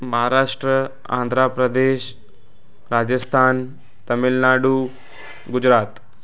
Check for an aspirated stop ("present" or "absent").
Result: present